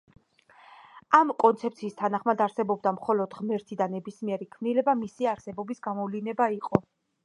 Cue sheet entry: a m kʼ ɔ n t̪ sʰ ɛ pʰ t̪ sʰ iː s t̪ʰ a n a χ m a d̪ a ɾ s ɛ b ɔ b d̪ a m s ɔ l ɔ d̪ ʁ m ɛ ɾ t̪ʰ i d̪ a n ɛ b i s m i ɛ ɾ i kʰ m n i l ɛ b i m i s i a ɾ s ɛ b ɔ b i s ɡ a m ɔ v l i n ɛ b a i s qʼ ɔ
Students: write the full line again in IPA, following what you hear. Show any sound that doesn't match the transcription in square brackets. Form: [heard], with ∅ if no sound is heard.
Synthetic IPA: a m kʼ ɔ n t̪ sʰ ɛ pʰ t̪ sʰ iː s t̪ʰ a n a χ m a d̪ a ɾ s ɛ b ɔ b d̪ a m [χ] ɔ l ɔ d̪ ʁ m ɛ ɾ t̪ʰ i d̪ a n ɛ b i s m i ɛ ɾ i kʰ m n i l ɛ b [a] m i s i a ɾ s ɛ b ɔ b i s ɡ a m ɔ v l i n ɛ b a i [∅] qʼ ɔ

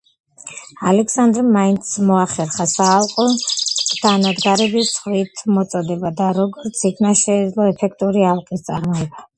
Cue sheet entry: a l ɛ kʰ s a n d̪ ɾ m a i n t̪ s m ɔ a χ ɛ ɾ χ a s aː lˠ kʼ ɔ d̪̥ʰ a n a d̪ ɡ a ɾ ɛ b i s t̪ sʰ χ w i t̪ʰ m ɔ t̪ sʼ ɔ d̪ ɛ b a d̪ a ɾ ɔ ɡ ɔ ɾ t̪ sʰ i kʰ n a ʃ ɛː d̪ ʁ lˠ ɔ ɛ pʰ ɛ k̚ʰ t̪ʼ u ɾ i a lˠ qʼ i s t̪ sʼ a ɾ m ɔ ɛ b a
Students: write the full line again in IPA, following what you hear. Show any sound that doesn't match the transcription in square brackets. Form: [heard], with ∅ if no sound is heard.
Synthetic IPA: a l ɛ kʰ s a n d̪ ɾ m a i n t̪ s m ɔ a χ ɛ ɾ χ a s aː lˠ [qʼ] ɔ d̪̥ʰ a n a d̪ ɡ a ɾ ɛ b i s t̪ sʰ χ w i t̪ʰ m ɔ t̪ sʼ ɔ d̪ ɛ b a d̪ a ɾ ɔ ɡ ɔ ɾ t̪ sʰ i kʰ n a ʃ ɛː d̪ [z] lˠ ɔ ɛ pʰ ɛ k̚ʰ t̪ʼ u ɾ i a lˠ qʼ i s t̪ sʼ a ɾ m ɔ ɛ b a

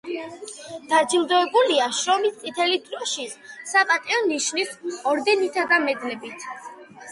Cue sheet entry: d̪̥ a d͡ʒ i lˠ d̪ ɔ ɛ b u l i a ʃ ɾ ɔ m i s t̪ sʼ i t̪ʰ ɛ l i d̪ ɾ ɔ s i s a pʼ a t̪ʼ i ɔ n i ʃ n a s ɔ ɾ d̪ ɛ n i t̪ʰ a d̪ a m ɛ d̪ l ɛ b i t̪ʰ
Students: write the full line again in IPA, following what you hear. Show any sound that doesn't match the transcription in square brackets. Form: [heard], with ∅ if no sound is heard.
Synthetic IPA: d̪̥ a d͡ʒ i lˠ d̪ ɔ ɛ b u l i a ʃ ɾ ɔ m i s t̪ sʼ i t̪ʰ ɛ l i d̪ ɾ ɔ [ʃ] i s a pʼ a t̪ʼ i ɔ n i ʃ n [i] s ɔ ɾ d̪ ɛ n i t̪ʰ a d̪ a m ɛ d̪ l ɛ b i t̪ʰ

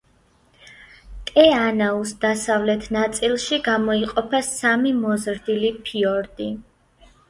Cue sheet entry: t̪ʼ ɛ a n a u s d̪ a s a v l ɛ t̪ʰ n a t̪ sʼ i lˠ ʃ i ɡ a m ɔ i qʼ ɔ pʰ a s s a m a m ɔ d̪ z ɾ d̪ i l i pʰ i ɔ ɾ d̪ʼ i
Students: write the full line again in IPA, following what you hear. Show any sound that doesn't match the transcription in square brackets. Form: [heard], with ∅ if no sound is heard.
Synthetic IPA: t̪ʼ ɛ a n a u s d̪ a s a v l ɛ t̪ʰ n a t̪ sʼ i lˠ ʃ i ɡ a m ɔ i qʼ ɔ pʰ a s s a m [i] m ɔ [∅] z ɾ d̪ i l i pʰ i ɔ ɾ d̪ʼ i

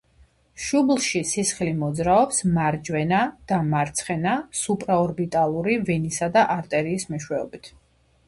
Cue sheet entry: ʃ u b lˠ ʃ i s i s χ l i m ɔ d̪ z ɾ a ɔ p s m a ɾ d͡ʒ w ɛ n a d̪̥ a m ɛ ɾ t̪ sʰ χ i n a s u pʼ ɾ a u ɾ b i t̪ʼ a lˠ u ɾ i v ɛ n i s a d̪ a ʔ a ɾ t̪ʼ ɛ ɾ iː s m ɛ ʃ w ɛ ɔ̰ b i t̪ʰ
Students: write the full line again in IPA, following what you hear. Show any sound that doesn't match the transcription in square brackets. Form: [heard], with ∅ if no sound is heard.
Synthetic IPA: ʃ u b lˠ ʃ i s i s χ l i m ɔ d̪ z ɾ a ɔ p s m a ɾ d͡ʒ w ɛ n a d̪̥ a m [a] ɾ t̪ sʰ χ [ɛ] n a s u pʼ ɾ a [ɔ] ɾ b i t̪ʼ a lˠ u ɾ i v ɛ n i s a d̪ a ʔ a ɾ t̪ʼ ɛ ɾ iː s m ɛ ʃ w ɛ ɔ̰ b i t̪ʰ

